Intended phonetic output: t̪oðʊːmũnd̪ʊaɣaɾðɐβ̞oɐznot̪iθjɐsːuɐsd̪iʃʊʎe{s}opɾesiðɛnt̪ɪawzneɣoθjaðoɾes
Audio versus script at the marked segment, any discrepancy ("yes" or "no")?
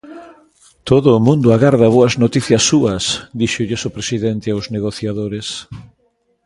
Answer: no